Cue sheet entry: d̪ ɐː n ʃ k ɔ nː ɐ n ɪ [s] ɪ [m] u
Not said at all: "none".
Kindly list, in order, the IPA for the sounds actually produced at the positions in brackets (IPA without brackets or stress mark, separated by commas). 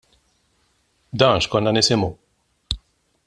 s, m